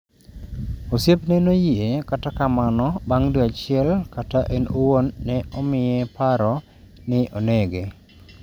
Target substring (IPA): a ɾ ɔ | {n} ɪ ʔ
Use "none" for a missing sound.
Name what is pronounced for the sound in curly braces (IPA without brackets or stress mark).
n